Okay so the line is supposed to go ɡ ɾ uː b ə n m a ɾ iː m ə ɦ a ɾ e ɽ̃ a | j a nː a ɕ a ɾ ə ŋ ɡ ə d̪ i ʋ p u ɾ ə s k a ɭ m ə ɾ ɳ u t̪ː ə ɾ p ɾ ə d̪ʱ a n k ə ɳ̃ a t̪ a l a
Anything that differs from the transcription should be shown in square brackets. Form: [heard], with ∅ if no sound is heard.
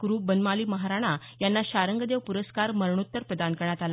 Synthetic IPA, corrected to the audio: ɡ ɾ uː b ə n m a [l] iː m ə ɦ a ɾ [a] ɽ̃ a | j a nː a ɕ a ɾ ə ŋ ɡ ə d̪ [e] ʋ p u ɾ ə s k a [ɾ] m ə ɾ ɳ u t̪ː ə ɾ p ɾ ə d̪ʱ a n k ə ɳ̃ a t̪ a l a